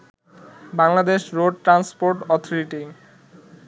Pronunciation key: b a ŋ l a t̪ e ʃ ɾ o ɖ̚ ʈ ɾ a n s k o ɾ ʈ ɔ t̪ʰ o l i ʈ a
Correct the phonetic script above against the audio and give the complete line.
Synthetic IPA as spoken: b a ŋ l a d̪ e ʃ ɾ o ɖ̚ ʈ ɾ a n s p o ɾ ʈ ɔ t̪ʰ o ɾ i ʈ i